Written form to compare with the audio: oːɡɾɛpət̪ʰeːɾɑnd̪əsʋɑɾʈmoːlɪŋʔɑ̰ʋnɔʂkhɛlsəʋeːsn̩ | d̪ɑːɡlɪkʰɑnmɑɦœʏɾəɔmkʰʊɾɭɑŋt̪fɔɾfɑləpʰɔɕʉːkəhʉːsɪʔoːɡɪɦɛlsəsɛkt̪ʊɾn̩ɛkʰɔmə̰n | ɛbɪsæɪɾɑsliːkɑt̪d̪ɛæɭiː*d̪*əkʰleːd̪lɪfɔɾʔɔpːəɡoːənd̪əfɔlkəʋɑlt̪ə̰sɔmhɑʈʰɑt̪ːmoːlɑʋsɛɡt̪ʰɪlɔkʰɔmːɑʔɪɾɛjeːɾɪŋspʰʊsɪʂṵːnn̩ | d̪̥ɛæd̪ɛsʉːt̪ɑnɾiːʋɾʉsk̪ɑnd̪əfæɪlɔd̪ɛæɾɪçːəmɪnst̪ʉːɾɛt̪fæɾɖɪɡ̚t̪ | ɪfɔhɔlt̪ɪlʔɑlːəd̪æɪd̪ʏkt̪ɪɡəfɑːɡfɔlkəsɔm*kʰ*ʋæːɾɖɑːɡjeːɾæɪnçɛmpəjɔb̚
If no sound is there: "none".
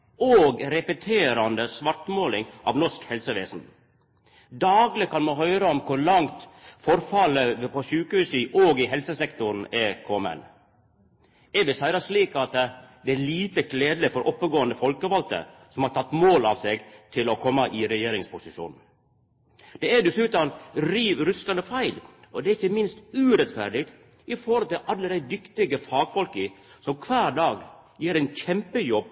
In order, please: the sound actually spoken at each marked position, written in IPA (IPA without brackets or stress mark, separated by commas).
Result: t̪, kʰ